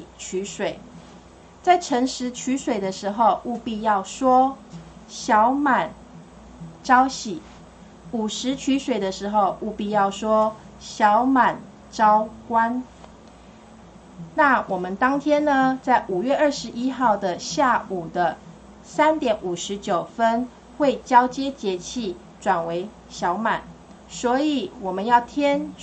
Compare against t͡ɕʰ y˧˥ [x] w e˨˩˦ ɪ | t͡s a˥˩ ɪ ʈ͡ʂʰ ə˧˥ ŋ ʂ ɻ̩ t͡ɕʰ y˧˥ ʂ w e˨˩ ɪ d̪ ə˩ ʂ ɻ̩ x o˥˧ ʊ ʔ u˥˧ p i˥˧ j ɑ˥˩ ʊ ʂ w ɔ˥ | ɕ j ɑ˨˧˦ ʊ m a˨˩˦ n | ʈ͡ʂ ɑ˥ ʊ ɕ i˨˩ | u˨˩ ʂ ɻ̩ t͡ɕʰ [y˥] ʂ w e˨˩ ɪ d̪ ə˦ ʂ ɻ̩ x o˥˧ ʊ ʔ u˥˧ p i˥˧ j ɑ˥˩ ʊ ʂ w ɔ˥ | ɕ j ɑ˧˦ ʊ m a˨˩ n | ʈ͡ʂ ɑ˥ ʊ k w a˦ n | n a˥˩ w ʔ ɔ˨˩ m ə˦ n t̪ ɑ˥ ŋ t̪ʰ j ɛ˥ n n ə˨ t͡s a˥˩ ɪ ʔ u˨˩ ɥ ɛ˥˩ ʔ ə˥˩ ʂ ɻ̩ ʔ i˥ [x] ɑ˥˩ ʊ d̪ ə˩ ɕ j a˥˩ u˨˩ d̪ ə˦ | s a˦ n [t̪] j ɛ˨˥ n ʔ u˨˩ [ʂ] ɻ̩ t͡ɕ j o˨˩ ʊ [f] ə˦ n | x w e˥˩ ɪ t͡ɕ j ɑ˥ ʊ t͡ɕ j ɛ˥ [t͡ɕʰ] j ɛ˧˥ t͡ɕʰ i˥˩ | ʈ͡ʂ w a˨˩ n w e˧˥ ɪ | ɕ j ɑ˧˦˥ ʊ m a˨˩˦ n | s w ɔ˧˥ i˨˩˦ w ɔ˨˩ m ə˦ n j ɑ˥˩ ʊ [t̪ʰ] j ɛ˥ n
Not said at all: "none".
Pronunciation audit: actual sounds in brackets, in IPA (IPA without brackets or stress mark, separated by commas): ʂ, y˧˥, x, t̪, ʂ, f, t͡ɕ, t̪ʰ